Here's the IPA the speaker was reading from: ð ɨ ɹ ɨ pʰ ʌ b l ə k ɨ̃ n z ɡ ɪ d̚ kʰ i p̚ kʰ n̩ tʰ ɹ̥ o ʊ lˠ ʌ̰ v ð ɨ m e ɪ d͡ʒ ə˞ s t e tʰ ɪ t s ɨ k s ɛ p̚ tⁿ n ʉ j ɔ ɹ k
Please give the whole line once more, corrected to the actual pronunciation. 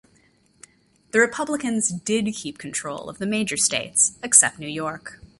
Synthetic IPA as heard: ð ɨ ɹ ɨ pʰ ʌ b l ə k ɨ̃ n z d ɪ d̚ kʰ i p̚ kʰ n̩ tʰ ɹ̥ o ʊ lˠ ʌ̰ v ð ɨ m e ɪ d͡ʒ ə˞ s t e ɪ t s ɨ k s ɛ p̚ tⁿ n ʉ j ɔ ɹ k